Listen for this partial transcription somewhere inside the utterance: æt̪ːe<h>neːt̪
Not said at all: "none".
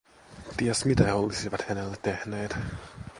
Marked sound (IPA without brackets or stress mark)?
h